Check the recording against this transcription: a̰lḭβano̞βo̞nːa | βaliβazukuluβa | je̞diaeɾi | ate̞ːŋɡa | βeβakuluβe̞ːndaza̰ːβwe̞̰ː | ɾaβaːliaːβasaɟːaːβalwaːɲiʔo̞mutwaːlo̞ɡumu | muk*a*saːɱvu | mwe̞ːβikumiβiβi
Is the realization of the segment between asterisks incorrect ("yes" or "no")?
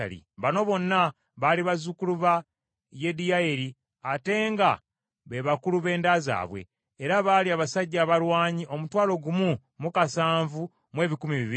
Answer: no